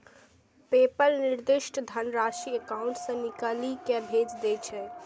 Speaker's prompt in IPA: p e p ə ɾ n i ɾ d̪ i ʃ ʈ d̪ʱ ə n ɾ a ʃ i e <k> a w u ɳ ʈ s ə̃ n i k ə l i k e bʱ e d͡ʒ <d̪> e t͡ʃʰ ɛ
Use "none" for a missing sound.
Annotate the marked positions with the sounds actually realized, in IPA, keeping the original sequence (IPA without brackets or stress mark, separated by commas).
k, d̪